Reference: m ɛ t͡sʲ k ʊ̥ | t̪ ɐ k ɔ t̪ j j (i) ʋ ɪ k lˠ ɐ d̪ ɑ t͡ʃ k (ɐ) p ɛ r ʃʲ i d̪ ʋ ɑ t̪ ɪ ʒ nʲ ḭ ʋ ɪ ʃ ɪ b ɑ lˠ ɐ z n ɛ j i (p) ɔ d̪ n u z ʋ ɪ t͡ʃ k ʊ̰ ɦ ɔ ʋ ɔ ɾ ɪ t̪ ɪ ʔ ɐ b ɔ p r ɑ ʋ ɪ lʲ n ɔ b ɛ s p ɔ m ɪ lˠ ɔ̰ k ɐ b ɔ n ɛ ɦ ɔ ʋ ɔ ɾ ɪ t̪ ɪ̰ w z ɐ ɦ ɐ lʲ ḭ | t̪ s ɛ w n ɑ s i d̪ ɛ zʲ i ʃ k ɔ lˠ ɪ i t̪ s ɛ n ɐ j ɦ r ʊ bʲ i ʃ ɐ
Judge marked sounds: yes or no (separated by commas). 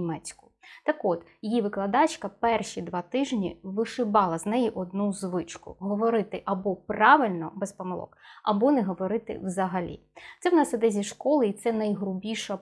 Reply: yes, yes, no